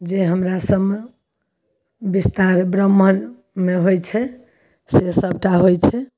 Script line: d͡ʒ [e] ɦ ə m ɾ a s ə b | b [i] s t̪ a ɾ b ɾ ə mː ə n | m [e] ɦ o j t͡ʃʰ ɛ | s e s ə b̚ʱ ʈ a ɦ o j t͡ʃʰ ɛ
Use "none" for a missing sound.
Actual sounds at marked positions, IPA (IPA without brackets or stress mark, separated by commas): e, i, e